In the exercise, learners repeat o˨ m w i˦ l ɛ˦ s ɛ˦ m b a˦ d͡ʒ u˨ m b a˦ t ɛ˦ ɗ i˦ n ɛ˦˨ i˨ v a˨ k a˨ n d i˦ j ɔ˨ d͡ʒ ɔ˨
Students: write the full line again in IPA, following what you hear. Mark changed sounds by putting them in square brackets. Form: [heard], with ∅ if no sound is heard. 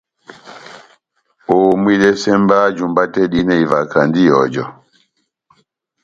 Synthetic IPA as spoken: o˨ m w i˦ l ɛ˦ s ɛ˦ m b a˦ d͡ʒ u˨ m b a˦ t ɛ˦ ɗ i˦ n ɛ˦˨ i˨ v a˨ k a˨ n d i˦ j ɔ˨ d͡ʒ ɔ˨